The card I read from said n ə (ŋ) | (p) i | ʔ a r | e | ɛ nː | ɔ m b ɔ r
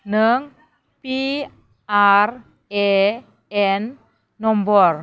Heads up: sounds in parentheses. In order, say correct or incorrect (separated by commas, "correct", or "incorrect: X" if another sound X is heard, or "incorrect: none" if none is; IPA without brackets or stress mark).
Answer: correct, correct